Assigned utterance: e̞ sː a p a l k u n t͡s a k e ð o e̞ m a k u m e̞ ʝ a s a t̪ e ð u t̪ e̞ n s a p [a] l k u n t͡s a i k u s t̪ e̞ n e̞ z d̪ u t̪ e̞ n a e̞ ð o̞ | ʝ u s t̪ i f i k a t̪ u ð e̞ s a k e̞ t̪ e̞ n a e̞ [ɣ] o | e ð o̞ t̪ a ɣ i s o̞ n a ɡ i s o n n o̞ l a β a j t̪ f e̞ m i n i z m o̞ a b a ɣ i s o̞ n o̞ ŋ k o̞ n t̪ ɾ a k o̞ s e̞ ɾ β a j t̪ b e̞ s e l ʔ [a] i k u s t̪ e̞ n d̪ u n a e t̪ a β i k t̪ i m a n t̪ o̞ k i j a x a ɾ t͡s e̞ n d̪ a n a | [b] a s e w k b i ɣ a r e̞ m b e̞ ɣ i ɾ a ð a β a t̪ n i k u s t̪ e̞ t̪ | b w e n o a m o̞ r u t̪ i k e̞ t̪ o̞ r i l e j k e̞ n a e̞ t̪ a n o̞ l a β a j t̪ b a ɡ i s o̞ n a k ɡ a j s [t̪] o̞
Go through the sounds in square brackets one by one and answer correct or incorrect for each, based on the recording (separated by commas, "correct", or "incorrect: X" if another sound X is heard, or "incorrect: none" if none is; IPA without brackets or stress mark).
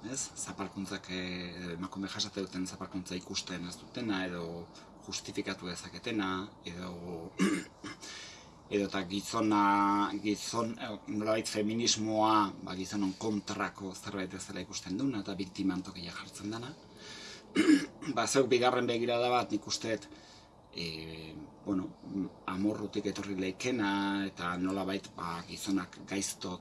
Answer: correct, incorrect: ð, correct, correct, correct